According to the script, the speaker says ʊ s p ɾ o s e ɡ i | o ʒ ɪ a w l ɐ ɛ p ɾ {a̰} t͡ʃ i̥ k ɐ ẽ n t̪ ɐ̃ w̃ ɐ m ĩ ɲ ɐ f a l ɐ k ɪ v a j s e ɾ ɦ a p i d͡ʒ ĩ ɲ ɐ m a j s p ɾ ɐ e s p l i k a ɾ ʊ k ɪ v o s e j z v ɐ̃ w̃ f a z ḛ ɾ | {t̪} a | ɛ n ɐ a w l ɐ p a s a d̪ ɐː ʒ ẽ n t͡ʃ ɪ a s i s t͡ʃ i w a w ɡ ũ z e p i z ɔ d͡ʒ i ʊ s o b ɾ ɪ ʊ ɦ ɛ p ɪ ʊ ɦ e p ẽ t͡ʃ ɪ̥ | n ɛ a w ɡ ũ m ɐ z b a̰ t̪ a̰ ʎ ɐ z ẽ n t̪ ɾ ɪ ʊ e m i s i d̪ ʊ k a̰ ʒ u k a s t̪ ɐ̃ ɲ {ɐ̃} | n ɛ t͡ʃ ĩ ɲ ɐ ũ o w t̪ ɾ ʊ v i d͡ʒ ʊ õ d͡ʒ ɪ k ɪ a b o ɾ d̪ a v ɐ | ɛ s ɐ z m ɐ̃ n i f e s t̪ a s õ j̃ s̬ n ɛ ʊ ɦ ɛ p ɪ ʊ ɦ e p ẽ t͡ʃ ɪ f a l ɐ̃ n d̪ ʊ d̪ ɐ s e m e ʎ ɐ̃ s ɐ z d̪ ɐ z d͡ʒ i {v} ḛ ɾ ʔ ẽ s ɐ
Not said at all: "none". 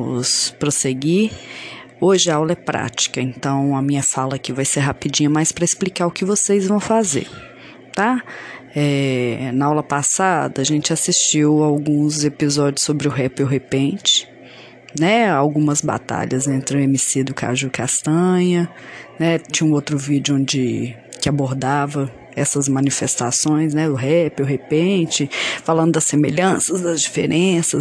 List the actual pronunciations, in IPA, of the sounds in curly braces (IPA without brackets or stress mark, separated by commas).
a̰, t̪, ɐ, f